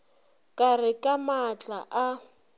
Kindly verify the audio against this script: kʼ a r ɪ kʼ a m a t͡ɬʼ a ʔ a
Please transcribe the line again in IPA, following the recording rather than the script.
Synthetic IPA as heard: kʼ a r ɪ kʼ a m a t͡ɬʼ a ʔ a